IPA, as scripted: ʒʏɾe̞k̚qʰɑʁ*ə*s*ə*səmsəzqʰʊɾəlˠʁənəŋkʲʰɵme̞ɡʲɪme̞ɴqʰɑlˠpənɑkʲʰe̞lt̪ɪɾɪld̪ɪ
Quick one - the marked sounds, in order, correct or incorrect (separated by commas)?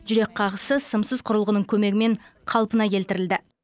correct, correct